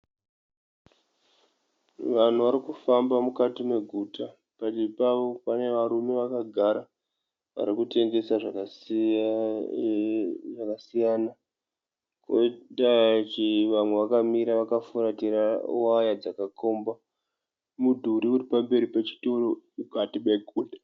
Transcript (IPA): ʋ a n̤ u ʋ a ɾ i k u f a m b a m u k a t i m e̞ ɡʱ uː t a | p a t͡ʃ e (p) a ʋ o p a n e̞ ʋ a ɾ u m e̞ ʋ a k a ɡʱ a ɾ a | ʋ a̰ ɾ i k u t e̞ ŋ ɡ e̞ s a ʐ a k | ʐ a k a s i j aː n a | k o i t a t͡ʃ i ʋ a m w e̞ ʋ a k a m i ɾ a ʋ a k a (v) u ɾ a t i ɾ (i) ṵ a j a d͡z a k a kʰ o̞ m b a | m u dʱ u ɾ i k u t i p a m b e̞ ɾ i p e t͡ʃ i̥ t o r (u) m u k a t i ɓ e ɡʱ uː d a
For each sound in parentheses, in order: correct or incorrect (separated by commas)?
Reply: correct, incorrect, incorrect, incorrect